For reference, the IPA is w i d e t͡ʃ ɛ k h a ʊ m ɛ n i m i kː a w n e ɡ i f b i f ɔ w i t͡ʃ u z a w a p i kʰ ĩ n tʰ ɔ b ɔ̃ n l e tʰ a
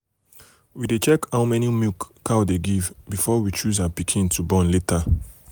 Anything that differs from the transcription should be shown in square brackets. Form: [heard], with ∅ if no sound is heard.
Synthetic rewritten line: w i d e t͡ʃ ɛ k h a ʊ m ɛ n i m i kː a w [d] e ɡ i [v] b i f ɔ w i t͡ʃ u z a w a p i kʰ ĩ n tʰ [u] b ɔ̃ n l e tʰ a